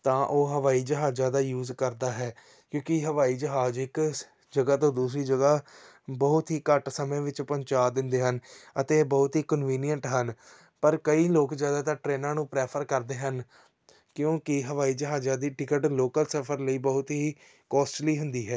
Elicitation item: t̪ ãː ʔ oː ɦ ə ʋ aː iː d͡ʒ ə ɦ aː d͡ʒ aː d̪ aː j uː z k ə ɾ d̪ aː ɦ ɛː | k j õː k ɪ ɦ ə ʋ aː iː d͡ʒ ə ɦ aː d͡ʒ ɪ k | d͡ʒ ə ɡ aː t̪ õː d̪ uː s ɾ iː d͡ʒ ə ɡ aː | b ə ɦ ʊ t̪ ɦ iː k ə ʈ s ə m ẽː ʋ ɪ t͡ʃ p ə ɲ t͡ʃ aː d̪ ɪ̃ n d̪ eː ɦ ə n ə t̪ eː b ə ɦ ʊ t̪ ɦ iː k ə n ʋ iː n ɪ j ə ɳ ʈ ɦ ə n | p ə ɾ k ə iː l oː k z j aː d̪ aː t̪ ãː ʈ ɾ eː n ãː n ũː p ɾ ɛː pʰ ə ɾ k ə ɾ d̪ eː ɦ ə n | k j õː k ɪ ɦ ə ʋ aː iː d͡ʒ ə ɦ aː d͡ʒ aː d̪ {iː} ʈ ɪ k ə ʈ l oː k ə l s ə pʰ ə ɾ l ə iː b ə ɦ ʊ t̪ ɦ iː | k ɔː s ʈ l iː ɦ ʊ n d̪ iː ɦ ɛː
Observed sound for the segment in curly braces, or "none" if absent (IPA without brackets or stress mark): iː